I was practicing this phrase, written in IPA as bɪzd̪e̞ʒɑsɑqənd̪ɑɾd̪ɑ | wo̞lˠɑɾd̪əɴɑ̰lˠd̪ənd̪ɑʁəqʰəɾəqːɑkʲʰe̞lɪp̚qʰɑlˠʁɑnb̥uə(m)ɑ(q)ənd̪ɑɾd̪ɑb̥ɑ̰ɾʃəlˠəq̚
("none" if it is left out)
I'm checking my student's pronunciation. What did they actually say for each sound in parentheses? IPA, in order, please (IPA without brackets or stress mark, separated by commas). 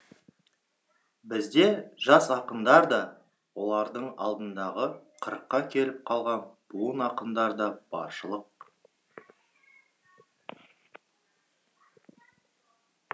n, q